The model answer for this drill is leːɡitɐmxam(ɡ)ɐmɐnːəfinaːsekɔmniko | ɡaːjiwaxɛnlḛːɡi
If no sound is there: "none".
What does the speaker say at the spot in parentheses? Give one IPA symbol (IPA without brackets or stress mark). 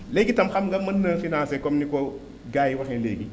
ɡ